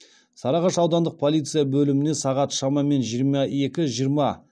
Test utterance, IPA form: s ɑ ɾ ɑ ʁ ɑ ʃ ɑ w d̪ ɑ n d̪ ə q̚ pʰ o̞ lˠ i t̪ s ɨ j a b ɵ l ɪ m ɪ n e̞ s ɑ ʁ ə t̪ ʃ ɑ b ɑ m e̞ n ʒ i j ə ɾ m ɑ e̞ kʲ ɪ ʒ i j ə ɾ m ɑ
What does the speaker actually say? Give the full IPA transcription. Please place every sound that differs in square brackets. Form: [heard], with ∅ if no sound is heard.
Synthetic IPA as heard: s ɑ ɾ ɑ ʁ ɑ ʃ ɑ w d̪ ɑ n d̪ ə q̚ pʰ o̞ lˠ i t̪ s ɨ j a b ɵ l ɪ m ɪ n e̞ s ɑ ʁ [ɑ] t̪ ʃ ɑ [m] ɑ m e̞ n ʒ i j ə ɾ m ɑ e̞ kʲ ɪ ʒ i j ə ɾ m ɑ